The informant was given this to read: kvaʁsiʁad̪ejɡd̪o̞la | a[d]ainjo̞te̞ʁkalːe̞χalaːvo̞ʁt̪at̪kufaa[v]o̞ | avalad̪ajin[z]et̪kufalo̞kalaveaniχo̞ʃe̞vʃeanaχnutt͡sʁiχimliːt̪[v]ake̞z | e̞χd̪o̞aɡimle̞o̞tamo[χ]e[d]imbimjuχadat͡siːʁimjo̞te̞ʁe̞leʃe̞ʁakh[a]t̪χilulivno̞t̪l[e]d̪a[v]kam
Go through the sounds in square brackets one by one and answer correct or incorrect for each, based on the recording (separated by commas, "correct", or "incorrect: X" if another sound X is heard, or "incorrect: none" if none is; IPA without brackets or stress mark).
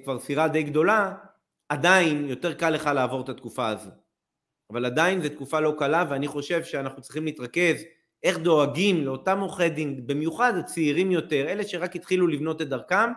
correct, incorrect: z, correct, incorrect: ʁ, correct, correct, incorrect: i, correct, incorrect: ʁ